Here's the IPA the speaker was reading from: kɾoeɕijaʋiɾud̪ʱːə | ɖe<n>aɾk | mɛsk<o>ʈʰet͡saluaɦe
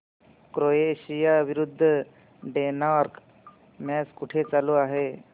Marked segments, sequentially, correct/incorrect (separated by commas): correct, incorrect